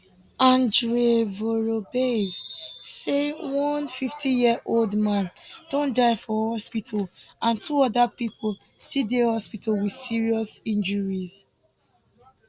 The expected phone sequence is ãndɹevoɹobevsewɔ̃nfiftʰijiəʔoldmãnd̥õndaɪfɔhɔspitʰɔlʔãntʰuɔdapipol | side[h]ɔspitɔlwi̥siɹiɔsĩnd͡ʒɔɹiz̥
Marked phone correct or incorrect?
correct